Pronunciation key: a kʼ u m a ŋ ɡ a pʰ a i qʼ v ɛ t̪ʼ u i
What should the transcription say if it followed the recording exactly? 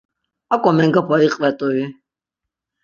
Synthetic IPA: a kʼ ɔ m ɛ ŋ ɡ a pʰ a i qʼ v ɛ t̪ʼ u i